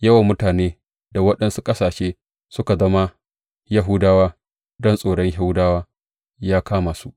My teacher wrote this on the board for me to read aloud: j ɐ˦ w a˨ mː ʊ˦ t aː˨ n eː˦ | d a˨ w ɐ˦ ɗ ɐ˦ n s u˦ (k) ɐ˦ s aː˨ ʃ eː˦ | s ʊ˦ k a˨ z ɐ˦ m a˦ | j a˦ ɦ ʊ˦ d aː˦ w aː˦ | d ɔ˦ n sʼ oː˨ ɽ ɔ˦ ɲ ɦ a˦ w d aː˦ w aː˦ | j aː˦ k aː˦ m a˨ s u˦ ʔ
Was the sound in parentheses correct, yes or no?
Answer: no